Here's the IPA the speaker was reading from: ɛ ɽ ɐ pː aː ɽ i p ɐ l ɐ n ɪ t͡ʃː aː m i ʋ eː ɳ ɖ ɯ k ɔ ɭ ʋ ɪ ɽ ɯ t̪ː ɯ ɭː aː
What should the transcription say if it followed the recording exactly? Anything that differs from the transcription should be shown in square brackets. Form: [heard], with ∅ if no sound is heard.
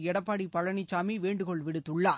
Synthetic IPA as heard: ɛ ɽ ɐ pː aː ɽ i p ɐ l ɐ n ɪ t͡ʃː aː m i ʋ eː ɳ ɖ ɯ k ɔ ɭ ʋ ɪ ɽ ɯ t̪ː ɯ ɭː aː